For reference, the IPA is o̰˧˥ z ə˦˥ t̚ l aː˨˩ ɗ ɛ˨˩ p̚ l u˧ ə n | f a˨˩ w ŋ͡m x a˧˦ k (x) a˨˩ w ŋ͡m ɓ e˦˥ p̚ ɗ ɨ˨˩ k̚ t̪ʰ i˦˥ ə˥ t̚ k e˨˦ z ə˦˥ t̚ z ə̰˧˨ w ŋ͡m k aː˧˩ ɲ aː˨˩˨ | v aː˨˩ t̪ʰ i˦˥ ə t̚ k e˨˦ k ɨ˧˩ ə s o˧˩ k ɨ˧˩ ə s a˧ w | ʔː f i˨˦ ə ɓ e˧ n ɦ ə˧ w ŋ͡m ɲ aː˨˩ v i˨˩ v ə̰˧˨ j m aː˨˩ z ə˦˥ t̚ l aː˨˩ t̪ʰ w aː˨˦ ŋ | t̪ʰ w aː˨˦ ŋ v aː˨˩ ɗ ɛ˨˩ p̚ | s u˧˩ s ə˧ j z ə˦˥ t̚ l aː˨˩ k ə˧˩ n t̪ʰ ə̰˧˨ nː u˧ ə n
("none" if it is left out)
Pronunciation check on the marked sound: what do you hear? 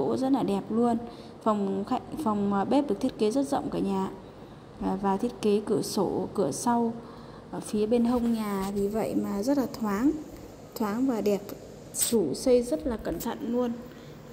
f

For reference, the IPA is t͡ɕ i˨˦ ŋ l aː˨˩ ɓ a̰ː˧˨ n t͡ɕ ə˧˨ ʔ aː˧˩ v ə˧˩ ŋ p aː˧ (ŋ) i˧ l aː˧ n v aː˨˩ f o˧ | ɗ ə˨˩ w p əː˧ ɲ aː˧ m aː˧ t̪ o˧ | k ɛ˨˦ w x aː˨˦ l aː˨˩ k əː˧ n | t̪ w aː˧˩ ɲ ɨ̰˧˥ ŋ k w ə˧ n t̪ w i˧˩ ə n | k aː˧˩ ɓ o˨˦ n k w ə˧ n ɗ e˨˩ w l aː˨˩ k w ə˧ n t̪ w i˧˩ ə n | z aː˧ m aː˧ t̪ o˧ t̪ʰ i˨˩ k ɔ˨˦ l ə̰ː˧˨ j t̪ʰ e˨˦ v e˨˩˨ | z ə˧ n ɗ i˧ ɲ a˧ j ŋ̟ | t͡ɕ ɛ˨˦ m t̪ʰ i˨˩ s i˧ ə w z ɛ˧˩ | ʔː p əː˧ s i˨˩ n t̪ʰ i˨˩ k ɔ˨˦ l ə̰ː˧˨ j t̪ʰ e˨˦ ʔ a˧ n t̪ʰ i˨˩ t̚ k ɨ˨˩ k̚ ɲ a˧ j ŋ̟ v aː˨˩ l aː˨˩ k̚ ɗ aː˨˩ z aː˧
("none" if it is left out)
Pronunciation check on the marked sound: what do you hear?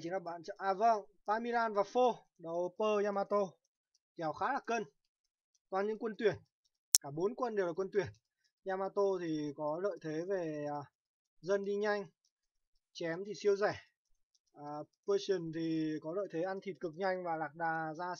m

